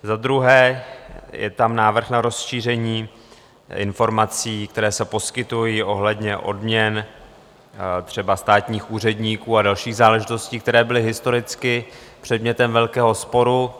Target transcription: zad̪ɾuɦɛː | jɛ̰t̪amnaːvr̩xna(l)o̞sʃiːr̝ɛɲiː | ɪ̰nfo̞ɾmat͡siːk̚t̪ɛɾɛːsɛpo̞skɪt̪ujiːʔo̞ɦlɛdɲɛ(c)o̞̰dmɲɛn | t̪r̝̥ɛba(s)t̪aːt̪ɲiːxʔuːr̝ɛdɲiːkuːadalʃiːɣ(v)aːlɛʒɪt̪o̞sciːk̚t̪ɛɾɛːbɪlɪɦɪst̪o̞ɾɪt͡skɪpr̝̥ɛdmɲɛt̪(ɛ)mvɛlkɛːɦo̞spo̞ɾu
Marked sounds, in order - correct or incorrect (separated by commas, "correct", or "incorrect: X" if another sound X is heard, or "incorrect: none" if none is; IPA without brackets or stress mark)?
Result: incorrect: ɾ, incorrect: ʔ, correct, incorrect: z, correct